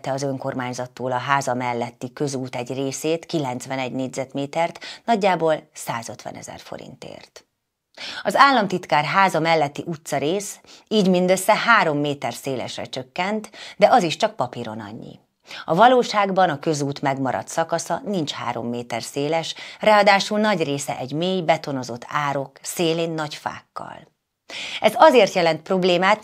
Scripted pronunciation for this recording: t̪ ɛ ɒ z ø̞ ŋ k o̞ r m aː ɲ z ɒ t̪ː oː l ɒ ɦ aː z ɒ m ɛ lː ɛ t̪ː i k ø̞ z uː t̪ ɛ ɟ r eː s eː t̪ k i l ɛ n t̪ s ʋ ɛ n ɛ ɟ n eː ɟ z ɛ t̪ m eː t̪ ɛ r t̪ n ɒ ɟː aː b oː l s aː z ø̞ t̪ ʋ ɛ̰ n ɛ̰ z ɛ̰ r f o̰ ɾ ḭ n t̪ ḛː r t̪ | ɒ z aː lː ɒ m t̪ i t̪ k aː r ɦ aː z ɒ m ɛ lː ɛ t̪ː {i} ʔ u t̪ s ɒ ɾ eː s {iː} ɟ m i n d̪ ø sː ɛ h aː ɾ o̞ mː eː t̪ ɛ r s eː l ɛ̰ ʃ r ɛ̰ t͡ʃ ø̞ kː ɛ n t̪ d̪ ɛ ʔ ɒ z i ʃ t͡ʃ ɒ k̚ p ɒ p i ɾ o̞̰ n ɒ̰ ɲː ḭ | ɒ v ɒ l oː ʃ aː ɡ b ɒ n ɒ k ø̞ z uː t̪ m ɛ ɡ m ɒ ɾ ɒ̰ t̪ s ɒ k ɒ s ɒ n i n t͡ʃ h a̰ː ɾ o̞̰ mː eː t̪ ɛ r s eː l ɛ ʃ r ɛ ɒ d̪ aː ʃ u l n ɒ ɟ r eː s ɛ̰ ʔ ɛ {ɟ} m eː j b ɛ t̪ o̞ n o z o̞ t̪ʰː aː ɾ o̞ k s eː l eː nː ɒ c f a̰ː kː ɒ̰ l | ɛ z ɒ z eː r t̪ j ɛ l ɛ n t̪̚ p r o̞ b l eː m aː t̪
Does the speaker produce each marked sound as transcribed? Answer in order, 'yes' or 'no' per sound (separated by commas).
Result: yes, yes, yes